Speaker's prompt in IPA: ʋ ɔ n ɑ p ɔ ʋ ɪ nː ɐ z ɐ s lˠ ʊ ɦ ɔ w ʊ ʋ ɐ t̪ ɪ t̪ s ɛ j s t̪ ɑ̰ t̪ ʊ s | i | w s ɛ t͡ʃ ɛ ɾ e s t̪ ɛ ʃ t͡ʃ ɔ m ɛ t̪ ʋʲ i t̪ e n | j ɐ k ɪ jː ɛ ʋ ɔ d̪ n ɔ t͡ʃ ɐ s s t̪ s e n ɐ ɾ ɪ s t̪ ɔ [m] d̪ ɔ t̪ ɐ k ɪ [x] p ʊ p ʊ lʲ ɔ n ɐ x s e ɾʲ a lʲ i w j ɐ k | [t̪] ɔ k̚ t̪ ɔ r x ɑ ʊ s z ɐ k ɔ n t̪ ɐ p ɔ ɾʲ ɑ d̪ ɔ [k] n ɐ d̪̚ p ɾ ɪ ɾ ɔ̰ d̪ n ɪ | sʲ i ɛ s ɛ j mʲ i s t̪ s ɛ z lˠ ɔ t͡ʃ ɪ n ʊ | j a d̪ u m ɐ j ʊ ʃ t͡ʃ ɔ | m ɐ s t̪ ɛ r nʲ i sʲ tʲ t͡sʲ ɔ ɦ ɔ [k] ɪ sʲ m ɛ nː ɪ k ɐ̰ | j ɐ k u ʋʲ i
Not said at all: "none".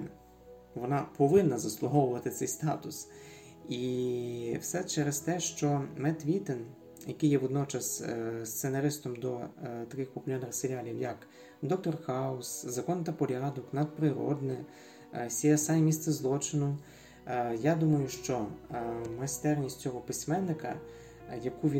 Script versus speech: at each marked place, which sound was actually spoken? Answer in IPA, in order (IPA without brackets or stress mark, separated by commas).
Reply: m, x, d̪, k, p